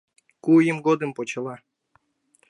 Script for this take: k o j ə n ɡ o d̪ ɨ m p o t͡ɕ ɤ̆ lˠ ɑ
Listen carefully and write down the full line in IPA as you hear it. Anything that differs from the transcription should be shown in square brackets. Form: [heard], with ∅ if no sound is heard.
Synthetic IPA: k [u] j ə [m] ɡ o d̪ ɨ m p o t͡ɕ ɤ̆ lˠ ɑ